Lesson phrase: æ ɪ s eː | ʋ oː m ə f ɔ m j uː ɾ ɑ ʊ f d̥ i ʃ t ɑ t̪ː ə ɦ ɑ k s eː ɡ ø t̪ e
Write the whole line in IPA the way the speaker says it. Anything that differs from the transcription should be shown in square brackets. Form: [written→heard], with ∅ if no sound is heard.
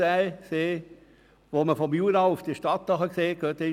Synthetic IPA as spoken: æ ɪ s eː | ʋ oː m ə f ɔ m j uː ɾ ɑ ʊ f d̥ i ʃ t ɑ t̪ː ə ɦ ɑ k s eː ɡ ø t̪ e

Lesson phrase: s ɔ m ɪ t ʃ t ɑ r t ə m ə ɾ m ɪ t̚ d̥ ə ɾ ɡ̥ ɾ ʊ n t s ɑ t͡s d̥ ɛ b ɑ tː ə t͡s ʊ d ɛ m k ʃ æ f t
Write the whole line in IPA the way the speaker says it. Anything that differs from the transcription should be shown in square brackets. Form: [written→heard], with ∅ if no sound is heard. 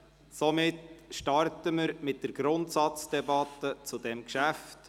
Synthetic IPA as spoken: s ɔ m ɪ t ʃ t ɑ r t ə m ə ɾ m ɪ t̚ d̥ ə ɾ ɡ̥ ɾ ʊ n t s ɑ t͡s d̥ ɛ b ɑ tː ə t͡s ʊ d ɛ m k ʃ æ f t

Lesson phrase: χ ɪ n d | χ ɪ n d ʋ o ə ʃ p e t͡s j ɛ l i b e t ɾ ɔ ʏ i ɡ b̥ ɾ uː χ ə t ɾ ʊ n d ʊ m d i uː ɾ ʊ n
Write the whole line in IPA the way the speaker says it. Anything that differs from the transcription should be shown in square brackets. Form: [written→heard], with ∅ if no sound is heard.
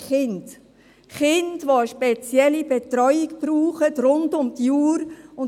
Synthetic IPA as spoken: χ ɪ n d | χ ɪ n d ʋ o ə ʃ p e t͡s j ɛ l i b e t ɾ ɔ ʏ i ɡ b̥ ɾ uː χ ə t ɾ ʊ n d ʊ m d [i→j] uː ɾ ʊ n

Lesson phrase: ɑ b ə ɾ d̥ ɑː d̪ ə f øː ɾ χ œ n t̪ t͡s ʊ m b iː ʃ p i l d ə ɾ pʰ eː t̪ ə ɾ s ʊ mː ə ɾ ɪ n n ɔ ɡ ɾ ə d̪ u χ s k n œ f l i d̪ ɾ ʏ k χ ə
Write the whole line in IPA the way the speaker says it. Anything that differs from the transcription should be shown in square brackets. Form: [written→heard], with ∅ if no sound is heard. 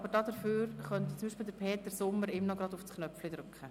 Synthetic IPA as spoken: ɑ b ə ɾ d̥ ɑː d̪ ə f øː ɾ χ œ n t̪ t͡s ʊ m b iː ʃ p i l d ə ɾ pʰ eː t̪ ə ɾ s ʊ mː ə ɾ ɪ [n→m] n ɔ ɡ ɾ [ə→ɑ] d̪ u [χ→f] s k n œ f l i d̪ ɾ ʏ k χ ə

